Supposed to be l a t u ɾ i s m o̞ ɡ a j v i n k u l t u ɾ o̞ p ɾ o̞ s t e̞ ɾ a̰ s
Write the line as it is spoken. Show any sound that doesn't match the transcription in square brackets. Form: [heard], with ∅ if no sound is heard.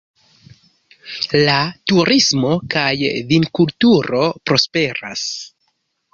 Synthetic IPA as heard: l a t u ɾ i s m o̞ [k] a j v i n k u l t u ɾ o̞ p ɾ o̞ s [p] e̞ ɾ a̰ s